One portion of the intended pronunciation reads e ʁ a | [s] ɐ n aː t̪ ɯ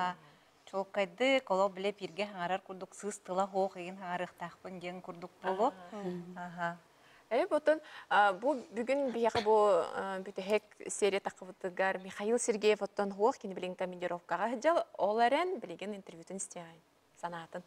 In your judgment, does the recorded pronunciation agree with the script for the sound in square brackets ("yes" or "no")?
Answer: yes